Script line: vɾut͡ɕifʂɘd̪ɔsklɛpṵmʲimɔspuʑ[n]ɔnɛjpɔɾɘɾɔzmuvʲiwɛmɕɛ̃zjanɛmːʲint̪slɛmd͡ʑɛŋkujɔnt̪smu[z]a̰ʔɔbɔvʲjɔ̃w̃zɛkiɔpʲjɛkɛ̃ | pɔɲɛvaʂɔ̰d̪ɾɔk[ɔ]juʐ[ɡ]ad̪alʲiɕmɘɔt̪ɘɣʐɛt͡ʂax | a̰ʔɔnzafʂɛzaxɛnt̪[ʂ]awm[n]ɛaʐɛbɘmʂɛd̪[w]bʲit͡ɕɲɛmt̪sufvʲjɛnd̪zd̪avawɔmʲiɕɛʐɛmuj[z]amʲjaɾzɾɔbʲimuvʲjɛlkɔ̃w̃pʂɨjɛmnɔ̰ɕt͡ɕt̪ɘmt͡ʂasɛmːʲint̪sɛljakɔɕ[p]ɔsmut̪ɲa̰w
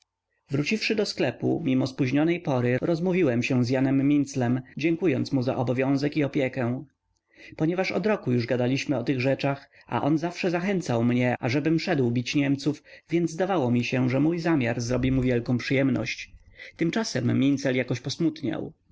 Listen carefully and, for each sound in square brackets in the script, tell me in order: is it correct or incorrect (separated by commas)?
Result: incorrect, correct, incorrect, correct, incorrect, incorrect, correct, correct, correct